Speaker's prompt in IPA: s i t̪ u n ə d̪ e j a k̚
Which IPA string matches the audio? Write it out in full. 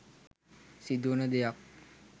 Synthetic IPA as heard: s i d̪ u n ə d̪ e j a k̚